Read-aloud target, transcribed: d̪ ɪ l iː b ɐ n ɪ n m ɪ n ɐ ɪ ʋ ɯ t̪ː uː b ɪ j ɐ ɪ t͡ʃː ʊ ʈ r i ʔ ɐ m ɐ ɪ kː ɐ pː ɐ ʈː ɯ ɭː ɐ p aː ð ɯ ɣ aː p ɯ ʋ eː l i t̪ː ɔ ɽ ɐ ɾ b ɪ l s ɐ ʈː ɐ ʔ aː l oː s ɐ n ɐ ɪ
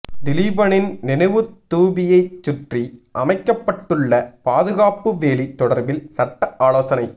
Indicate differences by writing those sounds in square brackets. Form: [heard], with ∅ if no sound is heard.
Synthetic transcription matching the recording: d̪ ɪ l iː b ɐ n ɪ n [n] ɪ n ɐ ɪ ʋ ɯ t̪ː uː b ɪ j ɐ ɪ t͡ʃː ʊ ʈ r i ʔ ɐ m ɐ ɪ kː ɐ pː ɐ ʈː ɯ ɭː ɐ p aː ð ɯ ɣ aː p ɯ ʋ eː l i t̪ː ɔ ɽ ɐ ɾ b ɪ l s ɐ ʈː ɐ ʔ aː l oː s ɐ n ɐ ɪ